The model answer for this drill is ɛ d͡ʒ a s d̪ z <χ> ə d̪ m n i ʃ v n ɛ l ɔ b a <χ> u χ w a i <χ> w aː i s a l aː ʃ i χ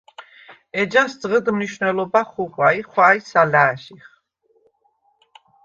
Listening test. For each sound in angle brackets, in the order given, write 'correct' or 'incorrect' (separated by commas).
incorrect, correct, correct